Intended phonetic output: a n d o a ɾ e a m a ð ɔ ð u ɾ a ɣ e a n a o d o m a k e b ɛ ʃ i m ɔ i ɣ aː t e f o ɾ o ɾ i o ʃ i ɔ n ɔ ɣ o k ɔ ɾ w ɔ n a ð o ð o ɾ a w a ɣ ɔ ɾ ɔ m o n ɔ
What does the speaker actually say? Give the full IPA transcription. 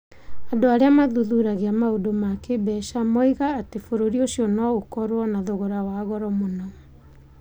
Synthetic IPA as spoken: a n d o a ɾ e a m a ð u ð u ɾ a ɣ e a m a o d o m a k e b ɛ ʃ a m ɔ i ɣ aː t e f o ɾ o ɾ i o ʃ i ɔ n ɔ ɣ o k ɔ ɾ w ɔ n a ð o ɣ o ɾ a w a ɣ ɔ ɾ ɔ m o n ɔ